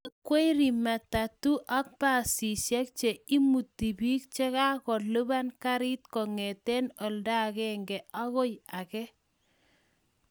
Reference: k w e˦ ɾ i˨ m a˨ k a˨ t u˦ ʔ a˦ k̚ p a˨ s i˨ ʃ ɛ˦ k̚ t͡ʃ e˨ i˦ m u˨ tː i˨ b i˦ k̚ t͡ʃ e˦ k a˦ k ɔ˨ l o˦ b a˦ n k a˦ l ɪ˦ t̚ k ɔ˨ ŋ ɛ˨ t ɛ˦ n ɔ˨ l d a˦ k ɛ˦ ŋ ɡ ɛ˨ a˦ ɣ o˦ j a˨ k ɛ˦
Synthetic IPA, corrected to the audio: k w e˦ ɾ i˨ m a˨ t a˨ t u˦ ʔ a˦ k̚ p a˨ s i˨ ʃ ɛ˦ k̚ t͡ʃ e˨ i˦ m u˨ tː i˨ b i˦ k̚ t͡ʃ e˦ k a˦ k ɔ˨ l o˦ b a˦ n k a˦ ɾ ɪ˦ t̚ k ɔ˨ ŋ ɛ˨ t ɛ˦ n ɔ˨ l d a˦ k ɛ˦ ŋ ɡ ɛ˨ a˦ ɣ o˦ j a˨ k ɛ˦